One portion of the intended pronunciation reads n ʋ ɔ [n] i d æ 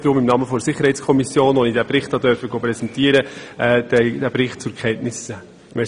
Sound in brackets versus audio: correct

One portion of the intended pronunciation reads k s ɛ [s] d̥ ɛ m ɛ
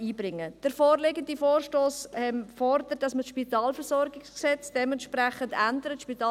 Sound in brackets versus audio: incorrect: t͡s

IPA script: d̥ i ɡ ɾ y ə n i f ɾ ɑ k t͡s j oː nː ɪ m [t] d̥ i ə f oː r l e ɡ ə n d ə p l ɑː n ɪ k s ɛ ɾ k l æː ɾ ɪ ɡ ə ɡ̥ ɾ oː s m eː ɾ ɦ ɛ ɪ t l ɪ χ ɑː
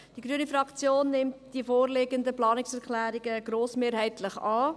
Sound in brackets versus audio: correct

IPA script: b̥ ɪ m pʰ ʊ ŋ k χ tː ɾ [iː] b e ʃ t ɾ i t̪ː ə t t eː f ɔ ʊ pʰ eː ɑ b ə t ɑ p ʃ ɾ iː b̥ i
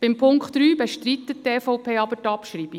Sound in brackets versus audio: incorrect: yː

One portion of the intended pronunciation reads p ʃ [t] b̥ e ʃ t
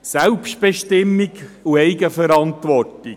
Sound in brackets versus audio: correct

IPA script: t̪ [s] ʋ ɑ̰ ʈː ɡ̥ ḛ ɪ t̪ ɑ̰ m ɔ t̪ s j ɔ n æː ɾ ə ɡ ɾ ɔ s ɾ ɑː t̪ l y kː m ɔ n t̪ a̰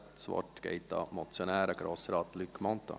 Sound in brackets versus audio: correct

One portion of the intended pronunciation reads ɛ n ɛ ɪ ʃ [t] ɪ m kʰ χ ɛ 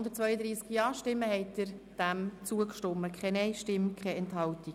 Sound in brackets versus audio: correct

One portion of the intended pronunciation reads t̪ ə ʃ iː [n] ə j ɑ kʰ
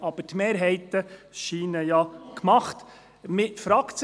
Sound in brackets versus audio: correct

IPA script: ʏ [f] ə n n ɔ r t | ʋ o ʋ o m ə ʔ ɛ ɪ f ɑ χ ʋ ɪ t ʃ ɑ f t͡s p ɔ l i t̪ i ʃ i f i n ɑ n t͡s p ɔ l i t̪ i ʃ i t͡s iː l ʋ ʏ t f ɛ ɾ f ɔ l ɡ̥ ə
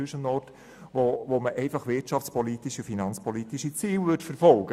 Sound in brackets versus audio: incorrect: ʃ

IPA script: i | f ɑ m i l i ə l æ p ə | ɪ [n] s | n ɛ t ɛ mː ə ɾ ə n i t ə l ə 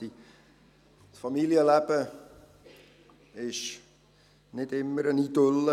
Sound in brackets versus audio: incorrect: none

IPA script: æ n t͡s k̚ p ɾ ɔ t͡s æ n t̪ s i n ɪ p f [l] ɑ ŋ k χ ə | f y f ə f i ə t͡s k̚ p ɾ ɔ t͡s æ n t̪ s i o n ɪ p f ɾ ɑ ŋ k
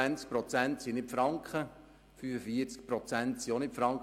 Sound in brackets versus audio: incorrect: ɾ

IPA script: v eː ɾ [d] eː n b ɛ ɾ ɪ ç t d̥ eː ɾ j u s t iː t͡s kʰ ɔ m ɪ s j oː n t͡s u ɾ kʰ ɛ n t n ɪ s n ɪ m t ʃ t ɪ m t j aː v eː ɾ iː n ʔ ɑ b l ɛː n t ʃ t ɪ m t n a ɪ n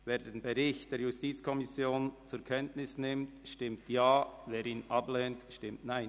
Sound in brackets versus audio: correct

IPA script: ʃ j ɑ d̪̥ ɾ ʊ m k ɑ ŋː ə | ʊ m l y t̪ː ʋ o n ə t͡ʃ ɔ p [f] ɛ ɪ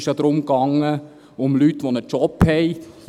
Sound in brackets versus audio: incorrect: h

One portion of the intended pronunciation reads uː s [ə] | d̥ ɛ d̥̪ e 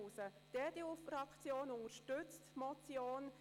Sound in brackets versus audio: correct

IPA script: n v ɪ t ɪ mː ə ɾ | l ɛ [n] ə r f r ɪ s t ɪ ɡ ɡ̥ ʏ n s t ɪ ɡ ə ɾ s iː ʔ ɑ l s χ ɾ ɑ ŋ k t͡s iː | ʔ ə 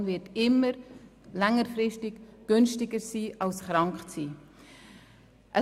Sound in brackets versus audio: incorrect: ŋ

